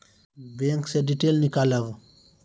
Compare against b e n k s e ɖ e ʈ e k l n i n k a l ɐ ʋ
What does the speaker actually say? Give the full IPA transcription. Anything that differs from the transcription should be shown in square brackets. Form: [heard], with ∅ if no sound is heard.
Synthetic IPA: b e [ŋ] k s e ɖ [i] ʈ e [∅] l n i [∅] k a l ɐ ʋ